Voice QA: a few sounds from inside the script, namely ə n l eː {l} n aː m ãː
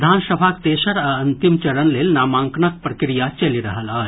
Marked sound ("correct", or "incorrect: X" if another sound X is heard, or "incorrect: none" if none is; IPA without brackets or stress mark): correct